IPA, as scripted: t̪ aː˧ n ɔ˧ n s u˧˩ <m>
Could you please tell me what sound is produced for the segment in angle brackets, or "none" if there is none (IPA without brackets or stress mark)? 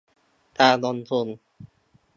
n